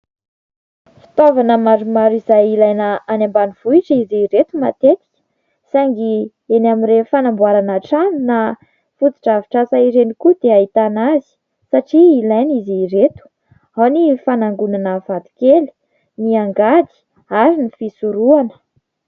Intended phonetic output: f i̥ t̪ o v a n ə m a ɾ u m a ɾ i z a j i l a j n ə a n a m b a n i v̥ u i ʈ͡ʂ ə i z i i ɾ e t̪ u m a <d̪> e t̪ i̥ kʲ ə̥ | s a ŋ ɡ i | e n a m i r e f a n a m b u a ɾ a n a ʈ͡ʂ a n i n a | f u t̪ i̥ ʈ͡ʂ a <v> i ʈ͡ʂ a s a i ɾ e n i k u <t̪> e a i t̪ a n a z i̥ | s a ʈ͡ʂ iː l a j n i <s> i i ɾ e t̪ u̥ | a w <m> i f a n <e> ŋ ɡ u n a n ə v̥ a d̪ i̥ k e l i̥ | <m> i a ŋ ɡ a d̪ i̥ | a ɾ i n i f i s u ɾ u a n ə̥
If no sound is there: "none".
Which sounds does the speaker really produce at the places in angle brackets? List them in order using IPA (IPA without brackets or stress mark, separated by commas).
t̪, v, d̪, z, n, a, n